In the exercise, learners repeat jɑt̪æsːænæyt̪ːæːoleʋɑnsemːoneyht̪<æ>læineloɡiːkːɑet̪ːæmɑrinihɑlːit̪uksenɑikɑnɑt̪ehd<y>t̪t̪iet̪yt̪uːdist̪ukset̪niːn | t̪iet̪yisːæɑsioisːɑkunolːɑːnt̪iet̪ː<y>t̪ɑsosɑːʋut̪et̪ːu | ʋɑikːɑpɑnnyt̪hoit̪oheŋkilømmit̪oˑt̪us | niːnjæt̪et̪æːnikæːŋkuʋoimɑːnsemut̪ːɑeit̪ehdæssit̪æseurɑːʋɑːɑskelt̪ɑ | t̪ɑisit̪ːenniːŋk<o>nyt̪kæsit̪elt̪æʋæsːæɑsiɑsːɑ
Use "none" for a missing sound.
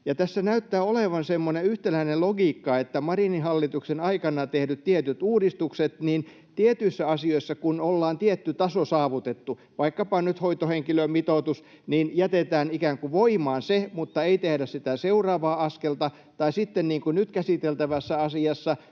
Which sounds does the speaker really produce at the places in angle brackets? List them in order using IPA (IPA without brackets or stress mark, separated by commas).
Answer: e, y, y, u